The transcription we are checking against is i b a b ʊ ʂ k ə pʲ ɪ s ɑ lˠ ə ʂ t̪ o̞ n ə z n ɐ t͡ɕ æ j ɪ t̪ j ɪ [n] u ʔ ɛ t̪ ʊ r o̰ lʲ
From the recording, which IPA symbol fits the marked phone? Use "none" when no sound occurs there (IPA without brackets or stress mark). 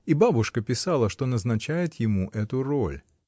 m